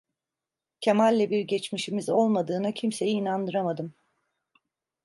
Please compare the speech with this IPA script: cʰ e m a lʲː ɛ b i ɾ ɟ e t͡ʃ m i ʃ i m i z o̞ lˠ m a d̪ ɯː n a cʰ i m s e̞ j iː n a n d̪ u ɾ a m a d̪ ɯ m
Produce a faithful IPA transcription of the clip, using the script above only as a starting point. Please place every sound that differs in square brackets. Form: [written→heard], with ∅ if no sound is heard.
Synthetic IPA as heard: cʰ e m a lʲː ɛ b i ɾ ɟ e t͡ʃ m i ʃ i m i z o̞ lˠ m a d̪ ɯː n a cʰ i m s e̞ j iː n a n d̪ [u→ɯ] ɾ a m a d̪ ɯ m